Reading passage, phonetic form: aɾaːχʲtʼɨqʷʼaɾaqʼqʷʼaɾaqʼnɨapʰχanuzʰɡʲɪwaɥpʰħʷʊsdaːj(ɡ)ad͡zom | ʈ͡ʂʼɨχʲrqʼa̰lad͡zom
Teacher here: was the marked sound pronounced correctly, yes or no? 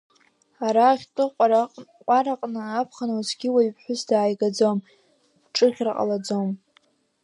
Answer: yes